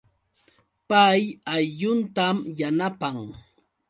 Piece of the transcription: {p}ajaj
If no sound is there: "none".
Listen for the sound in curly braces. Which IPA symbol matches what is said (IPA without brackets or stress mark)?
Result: p